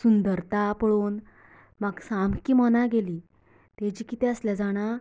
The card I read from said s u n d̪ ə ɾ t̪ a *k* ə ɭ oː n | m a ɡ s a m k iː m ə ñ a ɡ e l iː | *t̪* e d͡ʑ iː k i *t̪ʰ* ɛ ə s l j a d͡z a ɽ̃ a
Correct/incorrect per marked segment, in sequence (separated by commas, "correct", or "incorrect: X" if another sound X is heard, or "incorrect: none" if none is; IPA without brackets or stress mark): incorrect: p, correct, incorrect: t̪